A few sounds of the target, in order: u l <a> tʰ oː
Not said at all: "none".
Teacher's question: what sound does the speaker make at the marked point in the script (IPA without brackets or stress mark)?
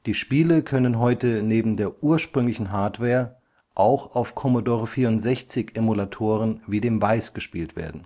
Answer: a